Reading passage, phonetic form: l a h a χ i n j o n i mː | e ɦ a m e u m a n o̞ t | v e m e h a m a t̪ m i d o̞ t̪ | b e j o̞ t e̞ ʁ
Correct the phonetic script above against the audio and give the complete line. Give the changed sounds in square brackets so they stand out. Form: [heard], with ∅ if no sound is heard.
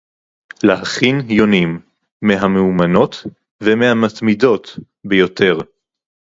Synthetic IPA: l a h a χ i n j o n i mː | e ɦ a m e u m a n o̞ t | v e m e h a m a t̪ m i d o̞ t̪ | b e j o̞ t e̞ ʁ